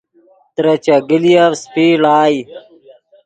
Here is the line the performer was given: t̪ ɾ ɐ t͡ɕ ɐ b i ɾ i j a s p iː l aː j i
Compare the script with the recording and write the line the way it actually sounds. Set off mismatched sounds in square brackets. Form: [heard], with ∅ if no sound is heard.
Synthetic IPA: t̪ ɾ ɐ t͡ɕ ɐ [ɡ] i [l] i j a s p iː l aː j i